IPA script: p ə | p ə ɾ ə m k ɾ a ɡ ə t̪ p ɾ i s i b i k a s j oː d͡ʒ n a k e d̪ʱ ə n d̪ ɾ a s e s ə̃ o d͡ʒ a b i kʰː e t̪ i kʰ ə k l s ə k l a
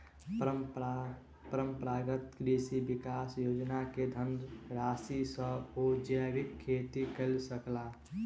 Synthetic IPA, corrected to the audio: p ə | p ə ɾ ə m p ɾ a ɡ ə t̪ k ɾ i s i b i k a s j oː d͡ʒ n a k e d̪ʱ ə n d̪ ɾ a s i s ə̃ o d͡ʒ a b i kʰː e t̪ i k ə l s ə k l a